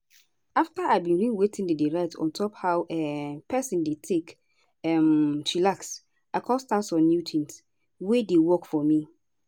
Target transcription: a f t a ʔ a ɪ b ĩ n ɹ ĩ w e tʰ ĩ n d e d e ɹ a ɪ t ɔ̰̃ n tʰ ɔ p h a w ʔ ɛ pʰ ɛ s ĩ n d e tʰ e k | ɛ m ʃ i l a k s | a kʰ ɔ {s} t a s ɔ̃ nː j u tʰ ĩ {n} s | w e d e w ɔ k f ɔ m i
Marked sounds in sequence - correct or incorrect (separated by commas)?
correct, correct